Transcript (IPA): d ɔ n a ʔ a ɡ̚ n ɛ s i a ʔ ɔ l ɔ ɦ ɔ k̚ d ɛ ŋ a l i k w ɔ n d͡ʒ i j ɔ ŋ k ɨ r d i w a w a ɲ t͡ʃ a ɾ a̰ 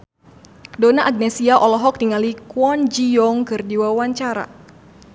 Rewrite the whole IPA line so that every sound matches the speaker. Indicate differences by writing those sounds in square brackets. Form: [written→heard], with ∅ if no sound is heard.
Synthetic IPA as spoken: d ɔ n a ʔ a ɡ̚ n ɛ s i a ʔ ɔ l ɔ ɦ ɔ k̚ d [ɛ→i] ŋ a l i k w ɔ n d͡ʒ i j ɔ ŋ k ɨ r d i w a w a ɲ t͡ʃ a ɾ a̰

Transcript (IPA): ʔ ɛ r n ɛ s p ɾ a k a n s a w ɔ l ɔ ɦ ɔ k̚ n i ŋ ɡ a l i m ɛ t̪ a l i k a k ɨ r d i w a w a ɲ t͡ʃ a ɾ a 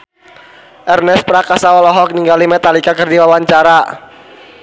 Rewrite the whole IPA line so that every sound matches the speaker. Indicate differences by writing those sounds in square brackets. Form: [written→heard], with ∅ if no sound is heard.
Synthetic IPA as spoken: ʔ ɛ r n ɛ s p ɾ a k a [n→∅] s a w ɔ l ɔ ɦ ɔ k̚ n i ŋ ɡ a l i m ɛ t̪ a l i k a k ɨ r d i w a w a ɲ t͡ʃ a ɾ a

